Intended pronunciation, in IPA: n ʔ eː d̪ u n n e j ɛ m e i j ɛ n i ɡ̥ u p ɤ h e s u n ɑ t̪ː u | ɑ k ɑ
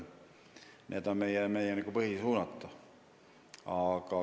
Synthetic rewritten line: n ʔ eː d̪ o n m e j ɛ m e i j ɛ n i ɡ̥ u p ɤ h i s uː n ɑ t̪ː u | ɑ k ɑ